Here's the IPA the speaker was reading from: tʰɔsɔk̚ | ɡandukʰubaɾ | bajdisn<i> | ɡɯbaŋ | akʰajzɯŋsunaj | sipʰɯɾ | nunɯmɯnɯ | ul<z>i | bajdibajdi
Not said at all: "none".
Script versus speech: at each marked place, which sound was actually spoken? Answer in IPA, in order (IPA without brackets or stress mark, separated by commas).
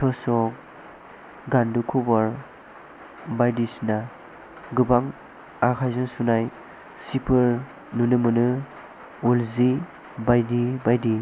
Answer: a, z